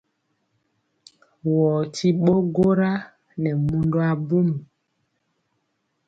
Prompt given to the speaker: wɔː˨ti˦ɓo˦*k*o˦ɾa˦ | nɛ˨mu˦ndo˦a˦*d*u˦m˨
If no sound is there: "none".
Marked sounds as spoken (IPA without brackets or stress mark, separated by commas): ɡ, b